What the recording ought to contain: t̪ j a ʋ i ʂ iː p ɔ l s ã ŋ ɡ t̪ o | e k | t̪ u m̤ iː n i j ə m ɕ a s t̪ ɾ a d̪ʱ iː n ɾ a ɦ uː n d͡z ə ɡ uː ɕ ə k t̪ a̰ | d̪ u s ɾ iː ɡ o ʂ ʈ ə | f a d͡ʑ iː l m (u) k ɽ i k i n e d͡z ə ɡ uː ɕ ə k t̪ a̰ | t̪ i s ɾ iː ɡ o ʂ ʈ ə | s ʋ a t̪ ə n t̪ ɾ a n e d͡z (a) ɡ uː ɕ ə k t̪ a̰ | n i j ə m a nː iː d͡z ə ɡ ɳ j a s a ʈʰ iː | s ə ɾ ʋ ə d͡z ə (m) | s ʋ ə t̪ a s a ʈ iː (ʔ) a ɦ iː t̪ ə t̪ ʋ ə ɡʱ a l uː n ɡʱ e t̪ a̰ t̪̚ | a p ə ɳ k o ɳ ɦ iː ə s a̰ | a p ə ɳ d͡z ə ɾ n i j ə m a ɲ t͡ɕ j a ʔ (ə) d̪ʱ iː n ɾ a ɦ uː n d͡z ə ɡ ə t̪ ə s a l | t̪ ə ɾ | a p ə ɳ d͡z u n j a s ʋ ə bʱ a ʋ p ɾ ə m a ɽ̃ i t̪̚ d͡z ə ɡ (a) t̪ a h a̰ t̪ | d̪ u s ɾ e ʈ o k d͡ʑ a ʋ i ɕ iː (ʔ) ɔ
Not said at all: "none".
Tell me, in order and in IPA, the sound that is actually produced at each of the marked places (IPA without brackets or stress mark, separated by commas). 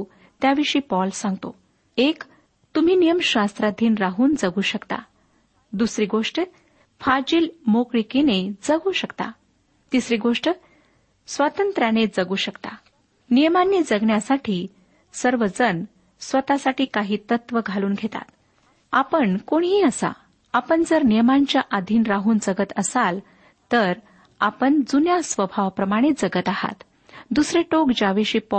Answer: o, ə, n, k, a, ə, p